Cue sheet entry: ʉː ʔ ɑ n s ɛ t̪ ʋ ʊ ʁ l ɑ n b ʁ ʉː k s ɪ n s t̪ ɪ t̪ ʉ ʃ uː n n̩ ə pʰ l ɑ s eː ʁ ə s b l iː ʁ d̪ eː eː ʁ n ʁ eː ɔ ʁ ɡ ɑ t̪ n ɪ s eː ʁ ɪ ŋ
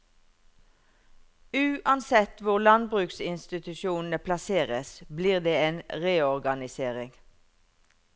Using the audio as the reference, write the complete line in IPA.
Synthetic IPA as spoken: ʉː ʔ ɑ n s ɛ t̪ ʋ ʊ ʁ l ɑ n b ʁ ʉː k s ɪ n s t̪ ɪ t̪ ʉ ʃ uː n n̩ ə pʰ l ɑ s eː ʁ ə s b l iː ʁ d̪ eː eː n ʁ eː ɔ ʁ ɡ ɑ n ɪ s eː ʁ ɪ ŋ

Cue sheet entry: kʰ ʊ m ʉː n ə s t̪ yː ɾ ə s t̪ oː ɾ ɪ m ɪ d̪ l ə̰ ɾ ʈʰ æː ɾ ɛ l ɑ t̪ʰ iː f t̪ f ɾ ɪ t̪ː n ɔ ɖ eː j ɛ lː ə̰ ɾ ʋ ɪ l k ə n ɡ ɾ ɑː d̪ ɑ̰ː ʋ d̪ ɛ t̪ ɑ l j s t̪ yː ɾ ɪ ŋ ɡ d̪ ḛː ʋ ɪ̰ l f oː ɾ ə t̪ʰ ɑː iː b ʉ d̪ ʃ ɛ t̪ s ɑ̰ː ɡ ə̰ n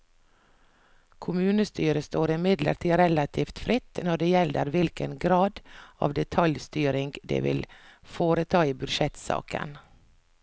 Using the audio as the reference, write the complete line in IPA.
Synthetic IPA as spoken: kʰ ʊ m ʉː n ə s t̪ yː ɾ ə s t̪ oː ɾ ɪ m ɪ d̪ l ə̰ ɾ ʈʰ iː ɾ ɛ l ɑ t̪ʰ iː f t̪ f ɾ ɪ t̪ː n ɔ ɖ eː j ɛ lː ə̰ ɾ ʋ ɪ l k ə n ɡ ɾ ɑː d̪ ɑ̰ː ʋ d̪ ɛ t̪ʰ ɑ l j s t̪ yː ɾ ɪ ŋ ɡ d̪ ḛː ʋ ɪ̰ l f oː ɾ ə t̪ʰ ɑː iː b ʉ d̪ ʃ ɛ t̪ s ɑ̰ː k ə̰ n

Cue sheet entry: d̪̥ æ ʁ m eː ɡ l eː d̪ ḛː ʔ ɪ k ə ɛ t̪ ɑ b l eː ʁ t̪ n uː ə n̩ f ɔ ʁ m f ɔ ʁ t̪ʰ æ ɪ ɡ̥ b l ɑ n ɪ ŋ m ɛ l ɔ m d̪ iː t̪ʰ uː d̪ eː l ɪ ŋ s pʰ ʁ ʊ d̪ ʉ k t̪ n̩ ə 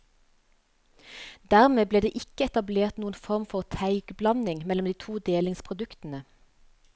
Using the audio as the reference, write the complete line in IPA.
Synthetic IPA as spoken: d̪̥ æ ʁ m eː b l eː d̪ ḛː ʔ ɪ k ə ɛ t̪ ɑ b l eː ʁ t̪ n uː ə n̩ f ɔ ʁ m f ɔ ʁ t̪ʰ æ ɪ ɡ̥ b l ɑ n ɪ ŋ m ɛ l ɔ m d̪ iː t̪ʰ uː d̪ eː l ɪ ŋ s pʰ ʁ ʊ d̪ ʉ k t̪ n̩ ə

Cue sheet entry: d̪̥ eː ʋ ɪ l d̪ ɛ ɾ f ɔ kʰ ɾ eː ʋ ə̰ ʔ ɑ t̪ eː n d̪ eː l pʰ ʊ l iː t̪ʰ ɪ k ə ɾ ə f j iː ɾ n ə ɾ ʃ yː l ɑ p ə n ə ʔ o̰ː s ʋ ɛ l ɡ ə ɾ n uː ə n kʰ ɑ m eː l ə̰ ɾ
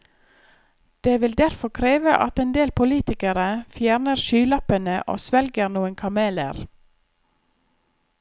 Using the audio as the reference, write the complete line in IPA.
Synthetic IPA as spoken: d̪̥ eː ʋ ɪ l d̪ æ ɾ f ɔ kʰ ɾ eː ʋ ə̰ ʔ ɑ t̪ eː n d̪ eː l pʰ ʊ l iː t̪ ɪ k ə ɾ ə f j æː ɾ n ə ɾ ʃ yː l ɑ p ə n ə ʔ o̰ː s ʋ ɛ l ɡ ə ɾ n uː ə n kʰ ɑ m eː l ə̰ ɾ

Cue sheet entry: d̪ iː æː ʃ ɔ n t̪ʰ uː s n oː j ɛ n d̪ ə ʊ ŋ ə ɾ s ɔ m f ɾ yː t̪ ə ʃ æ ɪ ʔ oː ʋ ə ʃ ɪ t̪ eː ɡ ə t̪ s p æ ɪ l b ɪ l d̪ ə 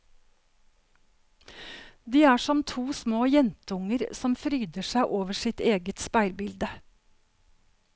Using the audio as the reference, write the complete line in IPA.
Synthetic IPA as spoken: d̪ iː æː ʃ ɔ m t̪ʰ uː s m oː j ɛ n t̪ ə ʊ ŋ ə ɾ s ɔ m f ɾ yː d̪ ə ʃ æ ɪ ʔ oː ʋ ə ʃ ɪ t̪ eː ɡ ə t̪ s p æ ɪ l b ɪ l d̪ ə

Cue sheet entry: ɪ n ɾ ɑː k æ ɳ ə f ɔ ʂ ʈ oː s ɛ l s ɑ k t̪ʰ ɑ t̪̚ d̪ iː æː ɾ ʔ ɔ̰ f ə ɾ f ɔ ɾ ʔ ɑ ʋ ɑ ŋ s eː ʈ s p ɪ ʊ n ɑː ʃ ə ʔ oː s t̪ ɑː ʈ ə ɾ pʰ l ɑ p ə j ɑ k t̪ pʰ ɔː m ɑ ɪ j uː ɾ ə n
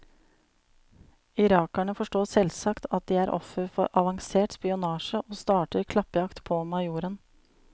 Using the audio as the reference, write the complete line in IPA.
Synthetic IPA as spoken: ɪ ɾ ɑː k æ ɳ ə f ɔ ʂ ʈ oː s ɛ l s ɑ k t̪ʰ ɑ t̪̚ d̪ iː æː ɾ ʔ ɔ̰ f ə ɾ f ɔ ɾ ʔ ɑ ʋ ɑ ŋ s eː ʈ s p ɪ ʊ n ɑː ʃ ə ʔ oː s t̪ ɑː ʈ ə ɾ kʰ l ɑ p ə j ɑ k t̪ pʰ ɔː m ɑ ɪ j uː ɾ ə n

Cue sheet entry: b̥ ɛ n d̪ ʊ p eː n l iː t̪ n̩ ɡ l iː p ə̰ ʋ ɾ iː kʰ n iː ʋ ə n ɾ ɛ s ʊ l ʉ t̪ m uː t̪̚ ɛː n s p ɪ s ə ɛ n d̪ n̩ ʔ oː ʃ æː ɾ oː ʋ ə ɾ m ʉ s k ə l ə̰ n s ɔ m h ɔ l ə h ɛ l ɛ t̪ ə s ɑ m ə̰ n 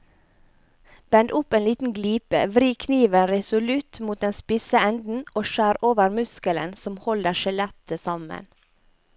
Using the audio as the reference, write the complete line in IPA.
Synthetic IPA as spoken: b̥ ɛ n d̪ ʊ p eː n l iː t̪ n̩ ɡ l iː p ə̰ ʋ ɾ iː kʰ n iː ʋ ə n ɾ ɛ s ʊ l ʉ t̪ m uː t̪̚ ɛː n s p ɪ s ə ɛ n d̪ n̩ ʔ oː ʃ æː ɾ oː ʋ ə ɾ m ʉ s k ə l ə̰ n s ɔ m h ɔ l ə ʃ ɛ l ɛ t̪ ə s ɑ m ə̰ n

